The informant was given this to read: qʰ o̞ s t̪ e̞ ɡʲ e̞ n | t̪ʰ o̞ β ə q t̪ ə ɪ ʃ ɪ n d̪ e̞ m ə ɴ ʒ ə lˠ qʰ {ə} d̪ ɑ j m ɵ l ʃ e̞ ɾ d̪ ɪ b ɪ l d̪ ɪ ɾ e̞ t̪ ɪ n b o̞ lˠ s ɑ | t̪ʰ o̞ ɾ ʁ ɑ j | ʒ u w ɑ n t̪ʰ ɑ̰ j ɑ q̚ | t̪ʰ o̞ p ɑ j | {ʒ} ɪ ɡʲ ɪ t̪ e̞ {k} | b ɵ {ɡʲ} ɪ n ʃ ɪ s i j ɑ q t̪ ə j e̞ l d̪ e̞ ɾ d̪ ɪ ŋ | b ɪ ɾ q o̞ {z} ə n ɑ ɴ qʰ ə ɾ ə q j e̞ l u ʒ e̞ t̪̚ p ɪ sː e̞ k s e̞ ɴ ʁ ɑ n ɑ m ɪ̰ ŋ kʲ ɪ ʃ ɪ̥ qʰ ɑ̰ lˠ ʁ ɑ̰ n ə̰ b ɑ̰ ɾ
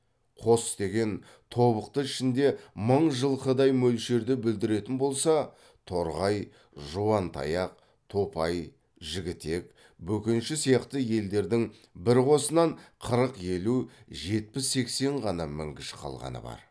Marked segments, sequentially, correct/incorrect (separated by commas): correct, correct, correct, incorrect, incorrect